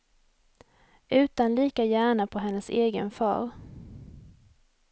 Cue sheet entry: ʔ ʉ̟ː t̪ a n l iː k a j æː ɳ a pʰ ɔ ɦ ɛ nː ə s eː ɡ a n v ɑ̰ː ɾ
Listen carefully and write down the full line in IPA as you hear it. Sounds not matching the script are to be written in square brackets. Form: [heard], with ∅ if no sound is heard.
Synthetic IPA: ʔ ʉ̟ː t̪ a n l iː k a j æː ɳ a pʰ ɔ ɦ ɛ nː ə s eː ɡ [ə] n [f] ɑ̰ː ɾ